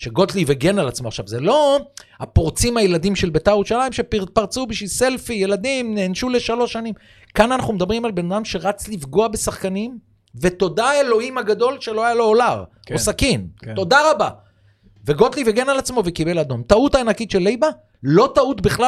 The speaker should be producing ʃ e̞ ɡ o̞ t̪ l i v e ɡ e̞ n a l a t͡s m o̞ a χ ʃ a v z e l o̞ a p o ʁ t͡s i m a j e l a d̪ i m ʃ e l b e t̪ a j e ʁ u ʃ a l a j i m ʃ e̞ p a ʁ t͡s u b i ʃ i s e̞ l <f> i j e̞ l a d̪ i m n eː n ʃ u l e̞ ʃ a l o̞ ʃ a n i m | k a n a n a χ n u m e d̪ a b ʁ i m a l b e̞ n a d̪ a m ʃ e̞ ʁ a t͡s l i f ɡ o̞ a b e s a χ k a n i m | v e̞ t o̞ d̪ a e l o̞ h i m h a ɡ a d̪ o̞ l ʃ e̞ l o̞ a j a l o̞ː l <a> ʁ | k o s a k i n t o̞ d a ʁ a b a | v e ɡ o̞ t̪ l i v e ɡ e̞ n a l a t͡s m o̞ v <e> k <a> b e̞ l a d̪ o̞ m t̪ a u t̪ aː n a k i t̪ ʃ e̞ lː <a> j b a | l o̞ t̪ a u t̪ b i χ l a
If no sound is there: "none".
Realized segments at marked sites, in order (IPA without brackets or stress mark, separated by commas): f, a, e, i, e